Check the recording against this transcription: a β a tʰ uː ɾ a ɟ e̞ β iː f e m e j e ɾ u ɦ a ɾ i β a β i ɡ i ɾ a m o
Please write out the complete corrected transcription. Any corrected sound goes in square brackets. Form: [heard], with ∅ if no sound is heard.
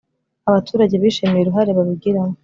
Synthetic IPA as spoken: a β a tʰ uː ɾ a ɟ e̞ β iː [ʃ] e m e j e ɾ u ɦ a ɾ [e] β a β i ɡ i ɾ a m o